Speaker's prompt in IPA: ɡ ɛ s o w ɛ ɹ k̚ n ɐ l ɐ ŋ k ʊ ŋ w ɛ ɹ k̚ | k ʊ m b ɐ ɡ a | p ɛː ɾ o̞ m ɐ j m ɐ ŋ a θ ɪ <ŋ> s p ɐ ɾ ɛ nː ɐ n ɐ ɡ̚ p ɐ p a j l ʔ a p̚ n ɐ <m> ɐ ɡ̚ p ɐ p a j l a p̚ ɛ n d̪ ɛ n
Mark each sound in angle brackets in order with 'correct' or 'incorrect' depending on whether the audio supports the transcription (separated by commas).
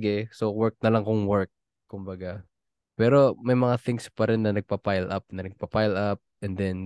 correct, incorrect